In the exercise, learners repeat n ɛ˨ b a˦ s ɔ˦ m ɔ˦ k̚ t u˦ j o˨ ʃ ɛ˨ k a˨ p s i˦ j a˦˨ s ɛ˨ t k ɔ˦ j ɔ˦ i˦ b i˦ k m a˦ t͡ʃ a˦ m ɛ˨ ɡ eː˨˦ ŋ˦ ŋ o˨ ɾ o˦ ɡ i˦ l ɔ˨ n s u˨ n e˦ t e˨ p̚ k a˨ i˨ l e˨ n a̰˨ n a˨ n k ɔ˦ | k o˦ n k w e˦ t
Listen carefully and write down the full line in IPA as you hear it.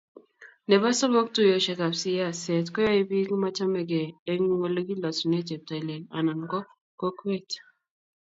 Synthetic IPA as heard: n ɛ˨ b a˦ s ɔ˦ m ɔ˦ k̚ t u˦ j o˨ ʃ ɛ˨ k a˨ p s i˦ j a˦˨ s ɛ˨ t k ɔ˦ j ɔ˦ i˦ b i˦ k m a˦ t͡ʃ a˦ m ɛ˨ ɡ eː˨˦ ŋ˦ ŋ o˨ l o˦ ɡ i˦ l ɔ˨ s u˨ n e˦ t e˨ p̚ t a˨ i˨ l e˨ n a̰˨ n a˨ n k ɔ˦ | k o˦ k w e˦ t